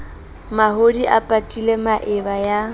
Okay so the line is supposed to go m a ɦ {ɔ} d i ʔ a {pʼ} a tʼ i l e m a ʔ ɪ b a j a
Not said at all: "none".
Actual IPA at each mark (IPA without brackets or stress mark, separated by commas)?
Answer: o, pʼ